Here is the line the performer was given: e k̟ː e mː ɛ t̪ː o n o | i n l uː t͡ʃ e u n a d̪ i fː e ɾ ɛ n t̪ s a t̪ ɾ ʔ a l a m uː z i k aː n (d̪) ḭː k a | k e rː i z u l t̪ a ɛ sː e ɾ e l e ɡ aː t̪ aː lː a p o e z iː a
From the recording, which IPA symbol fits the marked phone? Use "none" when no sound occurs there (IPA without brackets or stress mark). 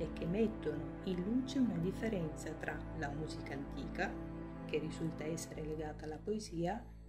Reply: t̪